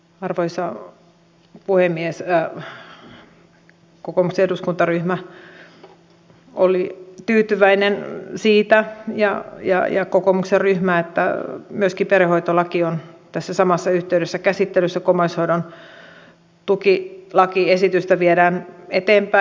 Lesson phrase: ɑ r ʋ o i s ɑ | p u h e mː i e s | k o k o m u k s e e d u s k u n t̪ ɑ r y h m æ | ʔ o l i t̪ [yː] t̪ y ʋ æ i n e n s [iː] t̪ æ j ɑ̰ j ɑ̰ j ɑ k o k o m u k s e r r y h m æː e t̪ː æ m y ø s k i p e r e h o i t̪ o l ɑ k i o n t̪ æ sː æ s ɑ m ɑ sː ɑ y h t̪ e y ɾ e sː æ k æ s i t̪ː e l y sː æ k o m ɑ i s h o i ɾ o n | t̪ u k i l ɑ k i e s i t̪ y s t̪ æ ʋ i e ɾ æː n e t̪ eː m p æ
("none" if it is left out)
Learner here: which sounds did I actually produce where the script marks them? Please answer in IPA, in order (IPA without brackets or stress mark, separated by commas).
yː, iː